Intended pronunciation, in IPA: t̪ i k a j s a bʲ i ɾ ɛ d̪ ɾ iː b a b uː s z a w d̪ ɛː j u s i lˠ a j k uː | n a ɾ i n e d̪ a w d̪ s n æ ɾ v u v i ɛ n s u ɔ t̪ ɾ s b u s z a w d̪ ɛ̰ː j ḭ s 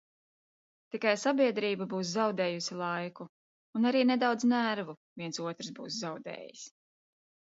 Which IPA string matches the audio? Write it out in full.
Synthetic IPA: t̪ i k a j s a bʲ i ɛ d̪ ɾ iː b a b uː s z a w d̪ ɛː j u s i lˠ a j k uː | n a ɾ iː n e d̪ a w d̪ z n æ ɾ v u v i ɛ n s u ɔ t̪ ɾ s b uː s z a w d̪ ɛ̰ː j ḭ s